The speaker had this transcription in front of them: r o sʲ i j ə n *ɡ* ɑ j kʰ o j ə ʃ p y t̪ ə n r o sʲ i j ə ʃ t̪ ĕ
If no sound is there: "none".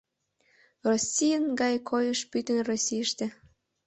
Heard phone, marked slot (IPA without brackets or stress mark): ɡ